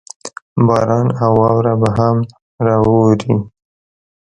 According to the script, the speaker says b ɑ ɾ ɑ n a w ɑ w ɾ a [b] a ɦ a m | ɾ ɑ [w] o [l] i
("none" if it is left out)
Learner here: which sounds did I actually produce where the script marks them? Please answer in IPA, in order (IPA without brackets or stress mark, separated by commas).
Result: b, w, ɾ